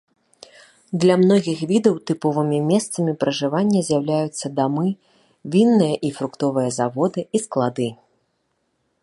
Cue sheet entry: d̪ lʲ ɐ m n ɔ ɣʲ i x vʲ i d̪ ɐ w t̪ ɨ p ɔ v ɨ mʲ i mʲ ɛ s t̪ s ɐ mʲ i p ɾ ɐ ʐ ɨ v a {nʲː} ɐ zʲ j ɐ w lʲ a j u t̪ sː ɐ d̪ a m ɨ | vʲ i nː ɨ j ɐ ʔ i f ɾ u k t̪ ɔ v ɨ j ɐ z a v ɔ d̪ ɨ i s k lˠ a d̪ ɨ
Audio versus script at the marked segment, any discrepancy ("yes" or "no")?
no